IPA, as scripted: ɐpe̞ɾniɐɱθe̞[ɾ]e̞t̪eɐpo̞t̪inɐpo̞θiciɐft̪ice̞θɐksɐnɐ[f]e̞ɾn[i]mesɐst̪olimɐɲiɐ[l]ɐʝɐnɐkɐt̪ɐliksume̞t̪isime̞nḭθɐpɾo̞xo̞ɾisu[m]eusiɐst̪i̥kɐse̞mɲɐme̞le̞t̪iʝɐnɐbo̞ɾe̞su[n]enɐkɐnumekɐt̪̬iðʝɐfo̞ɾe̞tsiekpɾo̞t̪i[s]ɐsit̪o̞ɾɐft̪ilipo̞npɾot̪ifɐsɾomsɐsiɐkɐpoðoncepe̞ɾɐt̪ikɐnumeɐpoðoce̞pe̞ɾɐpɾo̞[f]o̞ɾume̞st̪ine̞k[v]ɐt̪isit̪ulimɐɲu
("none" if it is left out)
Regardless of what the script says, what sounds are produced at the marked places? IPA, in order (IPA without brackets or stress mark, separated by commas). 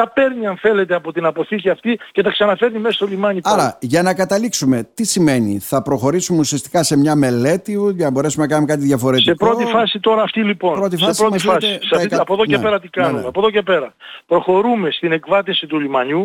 l, f, i, ɾ, m, m, f, x, v